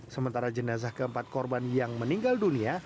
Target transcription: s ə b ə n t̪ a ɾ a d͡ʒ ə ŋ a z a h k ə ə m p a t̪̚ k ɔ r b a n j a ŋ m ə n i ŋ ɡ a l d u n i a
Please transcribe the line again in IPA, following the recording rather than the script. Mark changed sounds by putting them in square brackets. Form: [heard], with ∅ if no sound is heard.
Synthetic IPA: s ə [m] ə n t̪ a ɾ a d͡ʒ ə [n] a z a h k ə ə m p a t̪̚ k ɔ r b a n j a ŋ m ə n i ŋ ɡ a l d u n i a